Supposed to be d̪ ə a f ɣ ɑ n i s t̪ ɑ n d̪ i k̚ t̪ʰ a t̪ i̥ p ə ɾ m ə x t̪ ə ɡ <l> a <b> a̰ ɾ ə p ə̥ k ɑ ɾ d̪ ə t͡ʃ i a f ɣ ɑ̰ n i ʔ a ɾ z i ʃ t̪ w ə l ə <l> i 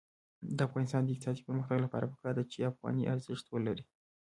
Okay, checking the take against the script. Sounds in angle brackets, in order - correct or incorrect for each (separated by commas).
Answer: correct, incorrect, incorrect